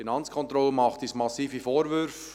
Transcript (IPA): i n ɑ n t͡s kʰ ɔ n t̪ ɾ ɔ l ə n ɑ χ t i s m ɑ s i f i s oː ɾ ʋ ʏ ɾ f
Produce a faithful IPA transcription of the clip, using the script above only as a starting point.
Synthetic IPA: i n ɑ n t͡s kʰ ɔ n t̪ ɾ ɔ l ə m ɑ χ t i s m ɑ s iː f i f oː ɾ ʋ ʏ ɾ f